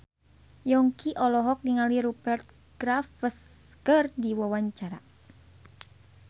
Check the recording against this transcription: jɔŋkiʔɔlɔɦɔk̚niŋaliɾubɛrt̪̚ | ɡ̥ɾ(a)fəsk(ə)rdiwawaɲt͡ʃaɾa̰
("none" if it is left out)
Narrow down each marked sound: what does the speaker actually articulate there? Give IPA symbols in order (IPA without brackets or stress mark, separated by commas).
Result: a, ə